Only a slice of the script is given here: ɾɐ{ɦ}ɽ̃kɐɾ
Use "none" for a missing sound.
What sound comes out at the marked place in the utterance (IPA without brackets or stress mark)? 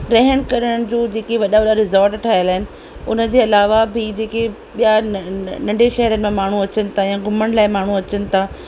ɦ